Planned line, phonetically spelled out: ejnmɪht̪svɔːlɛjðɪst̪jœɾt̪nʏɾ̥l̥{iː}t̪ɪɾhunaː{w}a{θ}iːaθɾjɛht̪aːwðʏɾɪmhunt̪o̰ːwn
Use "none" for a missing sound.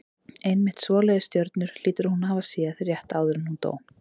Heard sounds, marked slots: iː, v, s

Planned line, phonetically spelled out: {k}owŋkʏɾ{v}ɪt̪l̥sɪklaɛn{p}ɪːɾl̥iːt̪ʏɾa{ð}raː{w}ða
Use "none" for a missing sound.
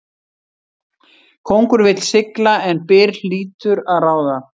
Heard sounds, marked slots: kʰ, v, p, ð, w

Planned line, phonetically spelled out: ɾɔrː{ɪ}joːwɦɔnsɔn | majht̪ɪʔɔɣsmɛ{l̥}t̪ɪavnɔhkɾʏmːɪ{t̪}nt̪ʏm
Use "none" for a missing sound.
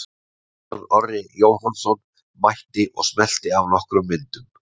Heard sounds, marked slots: ɪ, l̥, none

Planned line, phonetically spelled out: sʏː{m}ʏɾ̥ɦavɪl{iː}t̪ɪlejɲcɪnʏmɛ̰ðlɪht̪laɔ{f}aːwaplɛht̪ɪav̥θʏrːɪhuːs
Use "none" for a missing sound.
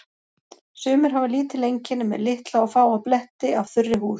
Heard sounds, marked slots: m, iː, f

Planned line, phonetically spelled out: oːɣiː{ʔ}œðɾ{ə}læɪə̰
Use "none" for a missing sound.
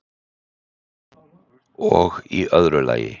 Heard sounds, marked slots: ʔ, ə

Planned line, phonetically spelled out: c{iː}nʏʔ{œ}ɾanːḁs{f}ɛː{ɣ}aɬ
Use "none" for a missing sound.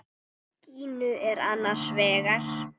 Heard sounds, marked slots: iː, ɛ, v, ɣ

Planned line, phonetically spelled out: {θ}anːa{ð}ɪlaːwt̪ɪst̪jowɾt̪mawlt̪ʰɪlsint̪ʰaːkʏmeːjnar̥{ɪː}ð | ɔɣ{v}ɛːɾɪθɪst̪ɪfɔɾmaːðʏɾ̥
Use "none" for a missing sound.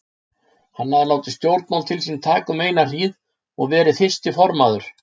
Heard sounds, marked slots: h, ð, iː, v

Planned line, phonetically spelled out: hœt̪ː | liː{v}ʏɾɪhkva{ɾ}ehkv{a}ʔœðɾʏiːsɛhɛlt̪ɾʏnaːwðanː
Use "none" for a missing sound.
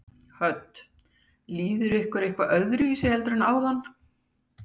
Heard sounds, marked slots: ð, ɾ, a

